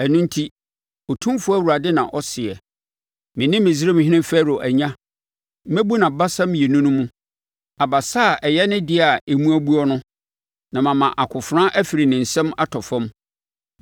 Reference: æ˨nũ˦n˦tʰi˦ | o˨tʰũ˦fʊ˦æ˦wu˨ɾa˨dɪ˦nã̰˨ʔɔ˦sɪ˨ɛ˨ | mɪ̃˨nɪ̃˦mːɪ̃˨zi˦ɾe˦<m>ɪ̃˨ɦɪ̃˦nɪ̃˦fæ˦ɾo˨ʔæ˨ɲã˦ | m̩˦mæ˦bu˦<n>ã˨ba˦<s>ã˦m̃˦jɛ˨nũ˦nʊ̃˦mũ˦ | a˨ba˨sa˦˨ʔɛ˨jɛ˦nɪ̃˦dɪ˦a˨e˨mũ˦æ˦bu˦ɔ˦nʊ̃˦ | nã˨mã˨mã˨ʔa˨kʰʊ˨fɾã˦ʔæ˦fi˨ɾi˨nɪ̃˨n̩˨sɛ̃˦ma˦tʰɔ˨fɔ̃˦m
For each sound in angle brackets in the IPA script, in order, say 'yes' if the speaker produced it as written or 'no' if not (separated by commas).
yes, yes, yes